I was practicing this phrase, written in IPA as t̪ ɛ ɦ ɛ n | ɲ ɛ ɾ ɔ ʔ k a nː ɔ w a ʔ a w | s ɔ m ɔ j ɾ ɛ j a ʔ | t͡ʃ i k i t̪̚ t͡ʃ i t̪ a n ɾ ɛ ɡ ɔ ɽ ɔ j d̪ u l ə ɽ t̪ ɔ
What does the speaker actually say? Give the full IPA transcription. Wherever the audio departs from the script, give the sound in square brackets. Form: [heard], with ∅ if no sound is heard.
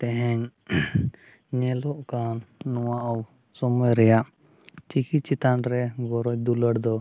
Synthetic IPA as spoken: t̪ ɛ ɦ ɛ [ɲ] | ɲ ɛ [l] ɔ ʔ k a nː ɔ w a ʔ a w | s ɔ m ɔ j ɾ ɛ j a ʔ | t͡ʃ i k i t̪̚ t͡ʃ i t̪ a n ɾ ɛ ɡ ɔ [ɾ] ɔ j d̪ u l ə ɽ [d̪] ɔ